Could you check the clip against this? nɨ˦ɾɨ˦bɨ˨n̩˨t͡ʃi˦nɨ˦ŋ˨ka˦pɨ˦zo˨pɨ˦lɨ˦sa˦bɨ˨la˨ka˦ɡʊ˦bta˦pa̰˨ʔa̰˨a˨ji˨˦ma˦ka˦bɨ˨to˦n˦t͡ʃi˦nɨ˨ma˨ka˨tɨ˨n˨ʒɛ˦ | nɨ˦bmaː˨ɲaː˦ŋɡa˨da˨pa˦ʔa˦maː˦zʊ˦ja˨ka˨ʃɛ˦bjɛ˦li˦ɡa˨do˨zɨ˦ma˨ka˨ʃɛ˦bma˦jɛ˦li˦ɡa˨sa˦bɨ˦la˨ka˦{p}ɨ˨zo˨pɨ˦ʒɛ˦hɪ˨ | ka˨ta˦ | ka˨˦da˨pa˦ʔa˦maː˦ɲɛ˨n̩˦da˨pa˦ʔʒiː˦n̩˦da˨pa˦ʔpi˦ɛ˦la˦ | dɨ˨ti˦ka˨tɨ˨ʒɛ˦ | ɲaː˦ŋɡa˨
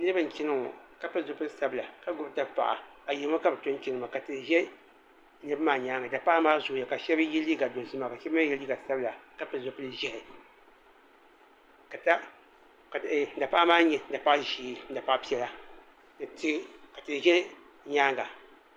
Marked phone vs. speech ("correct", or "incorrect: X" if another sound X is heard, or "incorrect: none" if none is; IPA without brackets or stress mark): correct